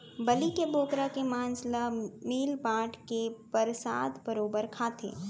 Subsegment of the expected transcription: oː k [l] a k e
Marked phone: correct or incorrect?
incorrect